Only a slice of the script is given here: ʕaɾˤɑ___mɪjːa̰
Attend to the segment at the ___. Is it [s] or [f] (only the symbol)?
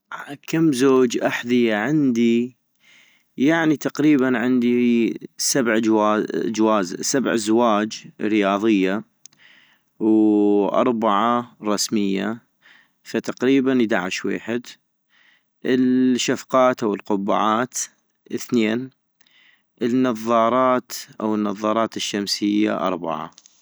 s